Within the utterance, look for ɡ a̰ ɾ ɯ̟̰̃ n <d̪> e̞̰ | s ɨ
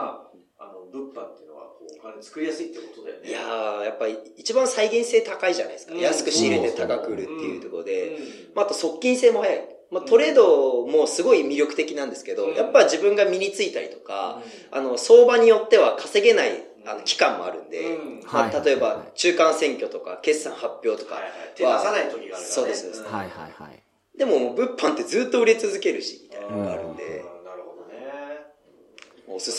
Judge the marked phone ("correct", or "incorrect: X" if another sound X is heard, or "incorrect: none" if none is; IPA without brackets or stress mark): correct